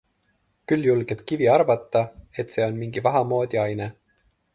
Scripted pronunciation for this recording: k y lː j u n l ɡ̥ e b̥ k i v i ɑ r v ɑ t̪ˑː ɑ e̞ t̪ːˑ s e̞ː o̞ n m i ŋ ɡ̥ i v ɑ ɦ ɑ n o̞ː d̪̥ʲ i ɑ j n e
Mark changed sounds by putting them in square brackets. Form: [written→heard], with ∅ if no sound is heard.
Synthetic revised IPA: k y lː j u [n→∅] l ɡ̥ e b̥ k i v i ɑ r v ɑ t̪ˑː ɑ e̞ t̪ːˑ s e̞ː o̞ n m i ŋ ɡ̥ i v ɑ ɦ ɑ [n→m] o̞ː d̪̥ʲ i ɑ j n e